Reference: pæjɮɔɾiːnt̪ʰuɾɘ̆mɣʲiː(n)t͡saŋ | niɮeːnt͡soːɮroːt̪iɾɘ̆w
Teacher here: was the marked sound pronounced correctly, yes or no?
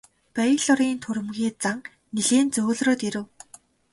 no